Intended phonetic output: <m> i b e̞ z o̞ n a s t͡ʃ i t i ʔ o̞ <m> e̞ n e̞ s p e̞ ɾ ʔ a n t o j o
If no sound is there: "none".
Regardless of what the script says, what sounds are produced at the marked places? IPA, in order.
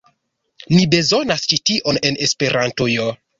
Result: n, n

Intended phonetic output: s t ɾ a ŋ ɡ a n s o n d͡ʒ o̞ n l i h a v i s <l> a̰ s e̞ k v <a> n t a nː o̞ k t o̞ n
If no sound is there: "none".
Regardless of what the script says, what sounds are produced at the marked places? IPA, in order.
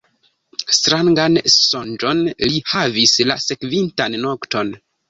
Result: l, i

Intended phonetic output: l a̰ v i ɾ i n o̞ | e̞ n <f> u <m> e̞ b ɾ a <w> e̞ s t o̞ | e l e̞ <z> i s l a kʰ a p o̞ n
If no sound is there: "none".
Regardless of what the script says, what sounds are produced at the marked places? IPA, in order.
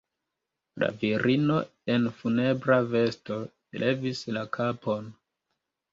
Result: f, n, v, v

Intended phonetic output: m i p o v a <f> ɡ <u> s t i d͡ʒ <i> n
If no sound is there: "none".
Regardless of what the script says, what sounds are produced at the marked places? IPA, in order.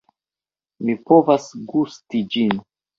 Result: s, u, i

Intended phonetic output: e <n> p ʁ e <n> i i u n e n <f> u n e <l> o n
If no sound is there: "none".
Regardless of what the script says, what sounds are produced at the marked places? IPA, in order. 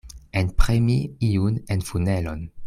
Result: n, m, f, l

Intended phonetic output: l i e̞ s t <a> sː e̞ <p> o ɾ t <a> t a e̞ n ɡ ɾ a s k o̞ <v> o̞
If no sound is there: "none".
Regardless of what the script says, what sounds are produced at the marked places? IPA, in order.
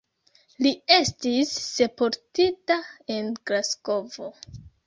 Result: i, p, i, v

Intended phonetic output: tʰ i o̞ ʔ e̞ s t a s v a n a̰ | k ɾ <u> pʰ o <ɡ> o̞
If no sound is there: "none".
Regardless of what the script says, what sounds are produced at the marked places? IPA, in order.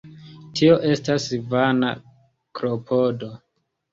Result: o, d

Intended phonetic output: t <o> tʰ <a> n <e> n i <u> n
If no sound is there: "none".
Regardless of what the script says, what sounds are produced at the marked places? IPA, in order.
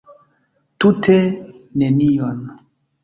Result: u, e, e, o

